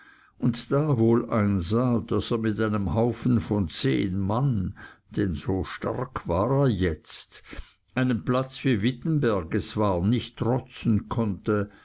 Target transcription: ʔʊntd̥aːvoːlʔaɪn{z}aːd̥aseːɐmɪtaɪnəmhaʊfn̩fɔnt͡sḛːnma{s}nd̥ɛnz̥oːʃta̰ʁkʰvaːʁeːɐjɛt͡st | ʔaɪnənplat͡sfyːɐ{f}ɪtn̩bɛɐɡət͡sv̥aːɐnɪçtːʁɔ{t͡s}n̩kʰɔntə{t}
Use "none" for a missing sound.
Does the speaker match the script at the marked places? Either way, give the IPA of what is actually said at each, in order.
z, none, v, t͡s, none

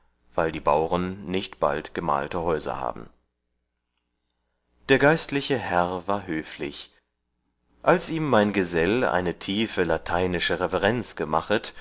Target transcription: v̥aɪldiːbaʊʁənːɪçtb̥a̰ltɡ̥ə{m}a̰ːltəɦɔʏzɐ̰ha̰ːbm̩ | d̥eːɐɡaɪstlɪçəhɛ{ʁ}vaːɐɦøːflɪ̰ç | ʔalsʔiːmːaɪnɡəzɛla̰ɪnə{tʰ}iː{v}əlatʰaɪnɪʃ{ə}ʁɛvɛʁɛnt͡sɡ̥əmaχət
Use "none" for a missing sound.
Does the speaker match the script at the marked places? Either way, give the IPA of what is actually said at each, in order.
m, ʁ, tʰ, f, ə

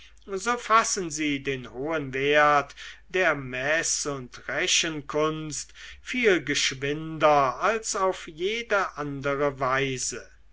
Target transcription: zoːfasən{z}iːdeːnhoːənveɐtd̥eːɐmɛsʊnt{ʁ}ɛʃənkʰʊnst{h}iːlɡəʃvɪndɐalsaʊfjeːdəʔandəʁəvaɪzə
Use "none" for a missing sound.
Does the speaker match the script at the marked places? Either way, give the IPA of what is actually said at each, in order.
z, ʁ, f

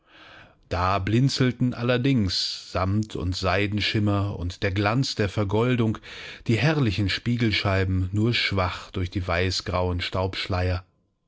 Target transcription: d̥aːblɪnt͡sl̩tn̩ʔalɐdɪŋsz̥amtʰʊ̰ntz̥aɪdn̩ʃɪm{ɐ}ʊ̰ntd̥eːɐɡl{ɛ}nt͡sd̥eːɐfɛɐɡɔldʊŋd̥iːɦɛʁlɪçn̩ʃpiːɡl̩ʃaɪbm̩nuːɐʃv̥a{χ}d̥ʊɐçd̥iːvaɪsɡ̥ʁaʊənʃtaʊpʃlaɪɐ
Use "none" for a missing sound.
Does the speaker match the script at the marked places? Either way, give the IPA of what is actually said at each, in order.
ɐ, a, χ

